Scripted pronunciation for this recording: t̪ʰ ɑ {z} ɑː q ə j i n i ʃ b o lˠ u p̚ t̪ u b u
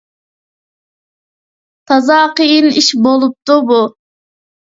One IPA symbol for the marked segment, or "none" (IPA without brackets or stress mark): z